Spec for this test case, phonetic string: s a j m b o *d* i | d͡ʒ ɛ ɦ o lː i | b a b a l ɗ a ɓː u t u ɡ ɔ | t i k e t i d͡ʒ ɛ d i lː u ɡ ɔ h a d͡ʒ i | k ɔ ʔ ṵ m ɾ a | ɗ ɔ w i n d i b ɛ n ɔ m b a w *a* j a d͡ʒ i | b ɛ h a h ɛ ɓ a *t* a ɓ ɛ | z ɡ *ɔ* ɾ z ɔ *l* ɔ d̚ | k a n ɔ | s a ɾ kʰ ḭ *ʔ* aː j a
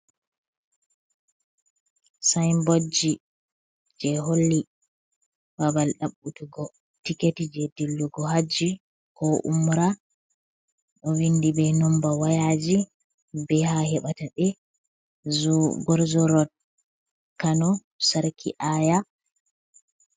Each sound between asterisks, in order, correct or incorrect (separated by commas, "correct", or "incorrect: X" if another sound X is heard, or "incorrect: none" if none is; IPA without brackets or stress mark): incorrect: d͡ʒ, correct, correct, correct, incorrect: ɾ, correct